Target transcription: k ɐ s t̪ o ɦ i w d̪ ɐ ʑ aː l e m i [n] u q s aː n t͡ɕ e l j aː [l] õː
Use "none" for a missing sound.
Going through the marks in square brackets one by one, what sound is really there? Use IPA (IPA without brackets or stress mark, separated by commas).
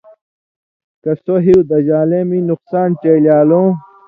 n, l